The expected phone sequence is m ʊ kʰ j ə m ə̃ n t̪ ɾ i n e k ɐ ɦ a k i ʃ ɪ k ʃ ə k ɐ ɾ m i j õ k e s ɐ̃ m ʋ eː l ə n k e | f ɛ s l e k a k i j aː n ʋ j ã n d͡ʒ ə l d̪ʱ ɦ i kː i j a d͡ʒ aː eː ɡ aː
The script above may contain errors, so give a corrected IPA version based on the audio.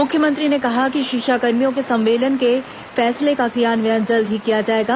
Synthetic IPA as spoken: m ʊ kʰ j ə m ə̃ n t̪ ɾ i n e k ɐ ɦ a k i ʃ ɪ k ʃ a k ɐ ɾ m i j õ k e s ɐ̃ m ʋ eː l ə n k e | f ɛː s l e k a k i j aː n ʋ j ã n d͡ʒ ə l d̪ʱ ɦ i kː i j a d͡ʒ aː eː ɡ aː